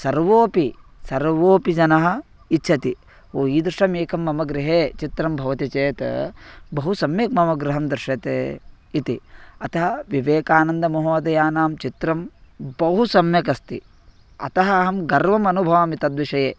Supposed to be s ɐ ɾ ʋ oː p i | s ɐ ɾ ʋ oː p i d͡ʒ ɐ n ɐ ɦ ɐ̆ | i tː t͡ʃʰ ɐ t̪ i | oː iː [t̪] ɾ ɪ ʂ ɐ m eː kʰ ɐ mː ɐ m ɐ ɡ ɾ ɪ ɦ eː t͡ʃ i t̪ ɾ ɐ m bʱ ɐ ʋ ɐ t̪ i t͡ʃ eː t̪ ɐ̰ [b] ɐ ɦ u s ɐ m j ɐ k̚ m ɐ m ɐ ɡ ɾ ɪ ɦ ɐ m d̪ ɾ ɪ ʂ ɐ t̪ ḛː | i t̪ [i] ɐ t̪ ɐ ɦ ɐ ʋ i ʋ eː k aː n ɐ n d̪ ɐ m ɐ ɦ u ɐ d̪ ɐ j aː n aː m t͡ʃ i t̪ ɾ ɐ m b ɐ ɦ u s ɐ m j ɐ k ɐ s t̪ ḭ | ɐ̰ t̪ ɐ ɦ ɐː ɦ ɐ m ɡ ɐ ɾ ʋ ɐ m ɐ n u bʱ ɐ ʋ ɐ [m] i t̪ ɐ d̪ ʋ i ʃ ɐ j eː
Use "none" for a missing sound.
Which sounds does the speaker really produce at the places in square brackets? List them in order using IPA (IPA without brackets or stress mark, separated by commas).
d̪, b, i, m